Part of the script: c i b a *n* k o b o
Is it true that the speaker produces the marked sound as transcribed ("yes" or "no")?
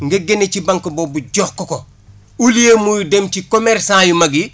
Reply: no